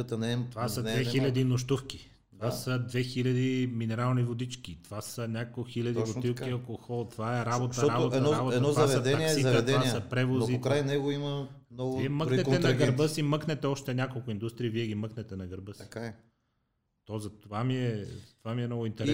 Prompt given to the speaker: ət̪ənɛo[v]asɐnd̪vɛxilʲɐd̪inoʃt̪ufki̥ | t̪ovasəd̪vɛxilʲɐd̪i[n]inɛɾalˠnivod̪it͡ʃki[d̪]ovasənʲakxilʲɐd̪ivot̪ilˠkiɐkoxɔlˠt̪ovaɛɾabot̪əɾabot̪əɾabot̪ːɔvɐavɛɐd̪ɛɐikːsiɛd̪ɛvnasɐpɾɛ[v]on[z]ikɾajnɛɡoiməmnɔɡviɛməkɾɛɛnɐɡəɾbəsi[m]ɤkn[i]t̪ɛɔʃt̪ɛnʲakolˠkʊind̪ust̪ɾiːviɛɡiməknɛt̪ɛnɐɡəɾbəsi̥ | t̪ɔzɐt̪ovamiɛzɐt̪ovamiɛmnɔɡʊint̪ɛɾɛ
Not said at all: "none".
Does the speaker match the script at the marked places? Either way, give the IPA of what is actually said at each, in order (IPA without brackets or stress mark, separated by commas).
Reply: v, m, t̪, v, z, m, ɛ